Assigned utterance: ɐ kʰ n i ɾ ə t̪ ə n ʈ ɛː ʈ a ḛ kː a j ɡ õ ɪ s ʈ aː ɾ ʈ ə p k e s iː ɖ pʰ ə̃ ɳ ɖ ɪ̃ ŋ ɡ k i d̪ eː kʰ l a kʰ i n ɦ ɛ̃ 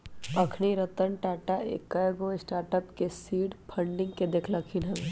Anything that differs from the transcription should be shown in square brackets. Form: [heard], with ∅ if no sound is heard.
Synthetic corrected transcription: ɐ kʰ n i ɾ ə t̪ ə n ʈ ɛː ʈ a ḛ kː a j ɡ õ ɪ s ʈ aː ɾ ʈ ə p k e s iː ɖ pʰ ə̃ ɳ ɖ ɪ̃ ŋ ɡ k [e] d̪ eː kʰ l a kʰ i n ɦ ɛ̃